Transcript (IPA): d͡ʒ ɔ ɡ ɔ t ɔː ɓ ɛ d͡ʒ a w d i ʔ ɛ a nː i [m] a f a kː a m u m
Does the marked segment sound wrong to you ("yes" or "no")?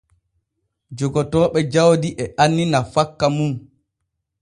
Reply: yes